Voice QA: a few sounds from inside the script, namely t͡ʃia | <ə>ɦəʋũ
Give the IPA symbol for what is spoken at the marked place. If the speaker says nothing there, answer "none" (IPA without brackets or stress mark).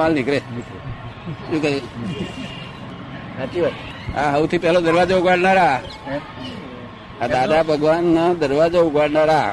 a